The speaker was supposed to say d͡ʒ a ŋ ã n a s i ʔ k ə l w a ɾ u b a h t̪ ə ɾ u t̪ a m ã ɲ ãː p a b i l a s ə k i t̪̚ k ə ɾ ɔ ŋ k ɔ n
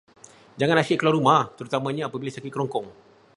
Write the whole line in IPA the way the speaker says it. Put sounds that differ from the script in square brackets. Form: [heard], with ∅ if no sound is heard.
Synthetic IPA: d͡ʒ a ŋ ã n a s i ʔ k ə l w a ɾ u [m] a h t̪ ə ɾ u t̪ a m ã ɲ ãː p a b i l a s [a] k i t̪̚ k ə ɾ ɔ ŋ k ɔ [ŋ]